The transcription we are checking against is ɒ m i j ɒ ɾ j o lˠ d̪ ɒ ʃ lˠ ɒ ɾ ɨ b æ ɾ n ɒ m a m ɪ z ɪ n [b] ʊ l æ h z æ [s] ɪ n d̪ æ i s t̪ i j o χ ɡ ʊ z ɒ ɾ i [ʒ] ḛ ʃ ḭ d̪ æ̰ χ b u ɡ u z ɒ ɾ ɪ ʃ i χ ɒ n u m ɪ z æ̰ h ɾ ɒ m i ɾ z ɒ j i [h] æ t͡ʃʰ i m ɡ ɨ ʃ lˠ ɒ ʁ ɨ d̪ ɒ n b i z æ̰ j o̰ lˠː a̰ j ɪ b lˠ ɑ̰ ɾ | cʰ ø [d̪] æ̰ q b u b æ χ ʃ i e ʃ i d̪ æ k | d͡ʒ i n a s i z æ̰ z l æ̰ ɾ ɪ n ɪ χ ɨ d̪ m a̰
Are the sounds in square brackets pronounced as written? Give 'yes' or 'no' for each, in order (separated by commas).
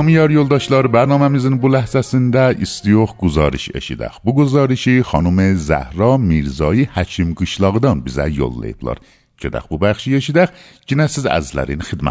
yes, yes, no, yes, yes